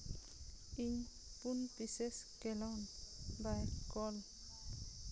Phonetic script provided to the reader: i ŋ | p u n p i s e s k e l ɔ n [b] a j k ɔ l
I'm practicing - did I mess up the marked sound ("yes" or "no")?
no